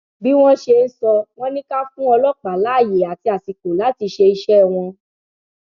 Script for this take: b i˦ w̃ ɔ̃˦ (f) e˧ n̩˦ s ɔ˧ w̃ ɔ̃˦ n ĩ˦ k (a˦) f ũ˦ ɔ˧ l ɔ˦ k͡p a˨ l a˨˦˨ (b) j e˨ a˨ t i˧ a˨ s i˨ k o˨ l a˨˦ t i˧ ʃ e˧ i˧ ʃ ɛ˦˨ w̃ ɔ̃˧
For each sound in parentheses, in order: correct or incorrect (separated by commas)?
incorrect, correct, incorrect